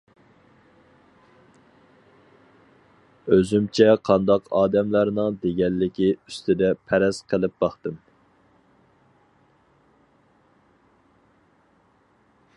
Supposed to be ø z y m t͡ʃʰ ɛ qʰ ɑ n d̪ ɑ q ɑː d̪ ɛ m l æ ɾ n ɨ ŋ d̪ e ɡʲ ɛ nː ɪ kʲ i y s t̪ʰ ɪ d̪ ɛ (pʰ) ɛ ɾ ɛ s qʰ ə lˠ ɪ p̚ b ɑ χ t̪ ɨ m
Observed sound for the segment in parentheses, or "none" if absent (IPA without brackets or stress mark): pʰ